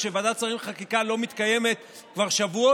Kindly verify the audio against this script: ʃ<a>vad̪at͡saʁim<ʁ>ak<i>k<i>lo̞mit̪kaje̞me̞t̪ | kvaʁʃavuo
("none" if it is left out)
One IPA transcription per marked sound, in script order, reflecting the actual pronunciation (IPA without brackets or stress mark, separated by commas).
e, χ, i, a